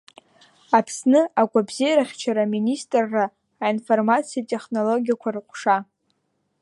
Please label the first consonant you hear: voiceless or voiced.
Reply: voiceless